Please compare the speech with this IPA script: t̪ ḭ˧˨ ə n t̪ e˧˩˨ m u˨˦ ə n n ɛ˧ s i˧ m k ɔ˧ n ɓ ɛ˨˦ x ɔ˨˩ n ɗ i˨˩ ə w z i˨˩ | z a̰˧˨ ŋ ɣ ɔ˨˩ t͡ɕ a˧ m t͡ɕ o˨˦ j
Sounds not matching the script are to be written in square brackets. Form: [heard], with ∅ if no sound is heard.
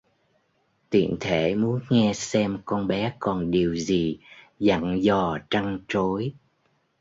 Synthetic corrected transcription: t̪ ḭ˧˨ ə n [t̪ʰ] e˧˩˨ m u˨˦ ə n [ŋ] ɛ˧ s [ɛ˧] m k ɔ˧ n ɓ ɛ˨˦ [k] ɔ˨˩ n ɗ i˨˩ ə w z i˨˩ | z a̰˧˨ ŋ [z] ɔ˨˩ t͡ɕ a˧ [ŋ] t͡ɕ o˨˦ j